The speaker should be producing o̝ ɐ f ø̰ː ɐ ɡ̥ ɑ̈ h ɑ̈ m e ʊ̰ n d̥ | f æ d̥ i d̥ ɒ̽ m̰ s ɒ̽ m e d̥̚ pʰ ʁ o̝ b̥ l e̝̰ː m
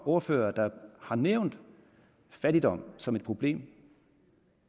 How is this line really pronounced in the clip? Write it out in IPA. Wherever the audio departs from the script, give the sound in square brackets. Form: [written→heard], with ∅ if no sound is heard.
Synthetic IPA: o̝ ɐ f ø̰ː ɐ [ɡ̥→d̥] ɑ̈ h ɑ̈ [m→n] e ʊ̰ n d̥ | f æ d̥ i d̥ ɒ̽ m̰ s ɒ̽ m e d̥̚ pʰ ʁ o̝ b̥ l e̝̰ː m